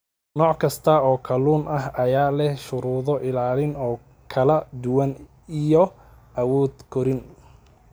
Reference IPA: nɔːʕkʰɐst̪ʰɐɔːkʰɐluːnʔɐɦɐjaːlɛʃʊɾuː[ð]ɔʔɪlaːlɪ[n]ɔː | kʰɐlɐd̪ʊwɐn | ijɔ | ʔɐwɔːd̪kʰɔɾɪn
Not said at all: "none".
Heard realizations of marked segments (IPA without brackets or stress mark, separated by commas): ð, n